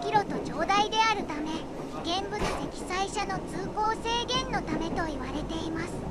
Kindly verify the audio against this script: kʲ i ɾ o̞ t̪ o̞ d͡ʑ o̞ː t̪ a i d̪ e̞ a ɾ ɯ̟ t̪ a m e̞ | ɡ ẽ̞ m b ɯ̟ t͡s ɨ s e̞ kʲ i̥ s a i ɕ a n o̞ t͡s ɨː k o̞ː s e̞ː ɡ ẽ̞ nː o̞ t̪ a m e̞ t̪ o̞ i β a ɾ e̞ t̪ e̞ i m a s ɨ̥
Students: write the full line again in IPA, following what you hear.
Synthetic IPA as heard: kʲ i ɾ o̞ t̪ o̞ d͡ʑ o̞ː d̪ a i d̪ e̞ a ɾ ɯ̟ t̪ a m e̞ | ɡ ẽ̞ m b ɯ̟ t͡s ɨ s e̞ kʲ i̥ s a i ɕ a n o̞ t͡s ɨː k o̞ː s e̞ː ɡ ẽ̞ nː o̞ t̪ a m e̞ t̪ o̞ i β a ɾ e̞ t̪ e̞ i m a s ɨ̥

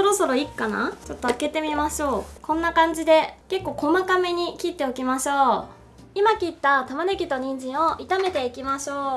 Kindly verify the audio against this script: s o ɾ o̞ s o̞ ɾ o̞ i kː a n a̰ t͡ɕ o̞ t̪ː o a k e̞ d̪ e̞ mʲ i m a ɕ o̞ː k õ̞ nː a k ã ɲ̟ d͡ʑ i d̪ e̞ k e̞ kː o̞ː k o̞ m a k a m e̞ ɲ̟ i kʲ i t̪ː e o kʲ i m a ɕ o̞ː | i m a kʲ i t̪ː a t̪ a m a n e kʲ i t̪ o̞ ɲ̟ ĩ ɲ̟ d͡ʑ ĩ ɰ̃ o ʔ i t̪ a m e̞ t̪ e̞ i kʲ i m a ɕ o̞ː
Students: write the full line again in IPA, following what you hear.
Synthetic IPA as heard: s o ɾ o̞ s o̞ ɾ o̞ i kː a n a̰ t͡ɕ o̞ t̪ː o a k e̞ t̪ e̞ mʲ i m a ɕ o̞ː k õ̞ nː a k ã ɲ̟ d͡ʑ i d̪ e̞ k e̞ kː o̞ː k o̞ m a k a m e̞ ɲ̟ i kʲ i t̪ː e o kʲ i m a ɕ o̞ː | i m a kʲ i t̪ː a t̪ a m a n e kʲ i t̪ o̞ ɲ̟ ĩ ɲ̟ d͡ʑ ĩ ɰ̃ o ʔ i t̪ a m e̞ t̪ e̞ i kʲ i m a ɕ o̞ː

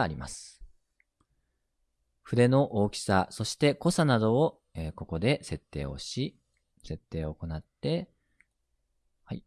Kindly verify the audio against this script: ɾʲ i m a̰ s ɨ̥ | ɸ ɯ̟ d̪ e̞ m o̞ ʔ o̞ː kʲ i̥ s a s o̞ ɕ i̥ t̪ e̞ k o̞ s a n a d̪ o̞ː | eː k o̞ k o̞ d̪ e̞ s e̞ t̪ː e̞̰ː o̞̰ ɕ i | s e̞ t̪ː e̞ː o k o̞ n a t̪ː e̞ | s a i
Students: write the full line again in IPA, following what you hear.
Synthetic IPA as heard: ɾʲ i m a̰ s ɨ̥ | ɸ ɯ̟ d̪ e̞ n o̞ ʔ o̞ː kʲ i̥ s a s o̞ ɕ i̥ t̪ e̞ k o̞ s a n a d̪ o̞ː | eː k o̞ k o̞ d̪ e̞ s e̞ t̪ː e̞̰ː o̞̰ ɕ i | s e̞ t̪ː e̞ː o k o̞ n a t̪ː e̞ | h a i

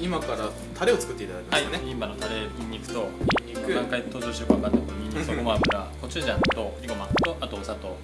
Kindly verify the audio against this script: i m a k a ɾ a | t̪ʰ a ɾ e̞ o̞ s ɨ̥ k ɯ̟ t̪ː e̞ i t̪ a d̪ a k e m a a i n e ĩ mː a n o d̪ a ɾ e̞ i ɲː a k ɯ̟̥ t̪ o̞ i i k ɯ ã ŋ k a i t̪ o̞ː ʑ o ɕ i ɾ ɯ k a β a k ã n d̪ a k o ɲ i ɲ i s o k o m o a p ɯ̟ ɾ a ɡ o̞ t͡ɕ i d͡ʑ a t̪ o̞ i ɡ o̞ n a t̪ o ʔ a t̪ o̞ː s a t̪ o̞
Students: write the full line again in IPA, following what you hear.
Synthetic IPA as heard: i m a k a ɾ a | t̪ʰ a ɾ e̞ o̞ t͡s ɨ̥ k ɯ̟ t̪ː e̞ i t̪ a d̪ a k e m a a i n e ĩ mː a n o t̪ a ɾ e̞ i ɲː i k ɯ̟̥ t̪ o̞ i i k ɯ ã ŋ k a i t̪ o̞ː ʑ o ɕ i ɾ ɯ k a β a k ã n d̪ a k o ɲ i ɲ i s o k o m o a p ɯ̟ ɾ a k o̞ t͡ɕ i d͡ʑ a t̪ o̞ i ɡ o̞ m a t̪ o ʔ a t̪ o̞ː s a t̪ o̞

